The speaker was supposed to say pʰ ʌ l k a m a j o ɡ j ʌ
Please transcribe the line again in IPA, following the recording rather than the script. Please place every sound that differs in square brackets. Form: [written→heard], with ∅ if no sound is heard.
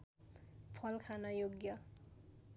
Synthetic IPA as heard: pʰ ʌ l [k→kʰ] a [m→n] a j o ɡ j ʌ

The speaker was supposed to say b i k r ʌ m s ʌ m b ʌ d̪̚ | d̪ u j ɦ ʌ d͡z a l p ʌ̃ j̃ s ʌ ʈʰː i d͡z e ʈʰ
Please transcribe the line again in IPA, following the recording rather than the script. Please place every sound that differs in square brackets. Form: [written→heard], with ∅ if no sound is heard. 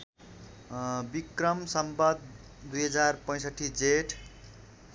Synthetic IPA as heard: b i k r ʌ m s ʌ m b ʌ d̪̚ | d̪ u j ɦ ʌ d͡z a [l→r] p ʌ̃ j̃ s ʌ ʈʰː i d͡z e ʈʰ

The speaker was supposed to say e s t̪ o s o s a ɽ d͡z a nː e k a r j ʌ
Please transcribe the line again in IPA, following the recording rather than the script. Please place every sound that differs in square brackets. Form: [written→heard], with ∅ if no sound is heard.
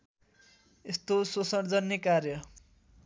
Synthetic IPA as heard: e s t̪ o s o s [a→ʌ] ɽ d͡z [a→ʌ] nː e k a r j ʌ

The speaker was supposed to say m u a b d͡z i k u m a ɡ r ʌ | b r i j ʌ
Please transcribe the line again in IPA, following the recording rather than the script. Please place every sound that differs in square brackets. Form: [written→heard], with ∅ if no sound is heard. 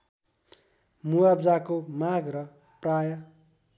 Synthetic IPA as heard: m u a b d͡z [i→a] k [u→o] m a ɡ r ʌ | [b→p] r [i→a] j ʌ

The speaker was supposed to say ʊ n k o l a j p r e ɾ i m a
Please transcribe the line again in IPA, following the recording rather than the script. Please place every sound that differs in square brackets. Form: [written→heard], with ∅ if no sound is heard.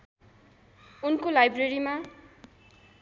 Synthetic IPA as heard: [ʊ→u] n k o l a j [p→b] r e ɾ i m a

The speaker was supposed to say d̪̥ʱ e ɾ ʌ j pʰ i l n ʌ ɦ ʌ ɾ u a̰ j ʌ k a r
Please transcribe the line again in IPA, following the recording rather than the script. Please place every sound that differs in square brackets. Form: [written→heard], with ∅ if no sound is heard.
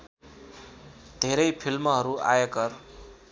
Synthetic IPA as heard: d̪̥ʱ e ɾ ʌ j pʰ i l [n→m] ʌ ɦ ʌ ɾ u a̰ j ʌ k [a→ʌ] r

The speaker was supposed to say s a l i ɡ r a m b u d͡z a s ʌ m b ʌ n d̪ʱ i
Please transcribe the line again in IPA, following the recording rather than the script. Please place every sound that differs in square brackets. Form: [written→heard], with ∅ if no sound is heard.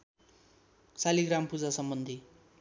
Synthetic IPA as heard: s a l i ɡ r a m [b→p] u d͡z a s ʌ m b ʌ n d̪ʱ i

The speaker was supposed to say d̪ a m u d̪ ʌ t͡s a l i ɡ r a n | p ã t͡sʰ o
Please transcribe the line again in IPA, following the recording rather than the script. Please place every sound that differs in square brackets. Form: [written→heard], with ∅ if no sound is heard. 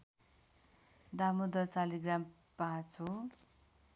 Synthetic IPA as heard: d̪ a m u d̪ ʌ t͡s a l i ɡ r a [n→m] | p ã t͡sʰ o

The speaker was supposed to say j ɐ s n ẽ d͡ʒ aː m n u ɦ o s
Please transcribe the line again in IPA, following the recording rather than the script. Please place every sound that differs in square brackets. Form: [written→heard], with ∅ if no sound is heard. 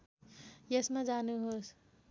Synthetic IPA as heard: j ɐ s [n→m] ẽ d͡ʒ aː [m→∅] n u ɦ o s

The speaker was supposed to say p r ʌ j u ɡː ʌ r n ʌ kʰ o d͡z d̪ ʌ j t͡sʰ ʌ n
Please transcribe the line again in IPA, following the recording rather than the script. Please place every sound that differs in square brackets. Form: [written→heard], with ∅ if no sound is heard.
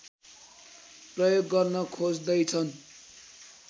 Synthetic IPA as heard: p r ʌ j [u→o] ɡː ʌ r n ʌ kʰ o d͡z d̪ ʌ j t͡sʰ ʌ n

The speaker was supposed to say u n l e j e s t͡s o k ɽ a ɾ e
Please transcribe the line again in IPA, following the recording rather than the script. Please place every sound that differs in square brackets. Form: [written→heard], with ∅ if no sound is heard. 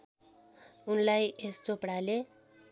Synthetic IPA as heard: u n l [e→a] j e s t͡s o [k→p] ɽ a [ɾ→l] e

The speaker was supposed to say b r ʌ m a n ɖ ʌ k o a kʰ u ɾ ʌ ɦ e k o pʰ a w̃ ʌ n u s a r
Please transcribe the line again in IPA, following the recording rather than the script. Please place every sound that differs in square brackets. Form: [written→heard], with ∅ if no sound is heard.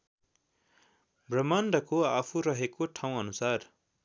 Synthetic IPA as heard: b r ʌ m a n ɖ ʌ k o a [kʰ→pʰ] u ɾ ʌ ɦ e k o [pʰ→ʈʰ] a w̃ ʌ n u s a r

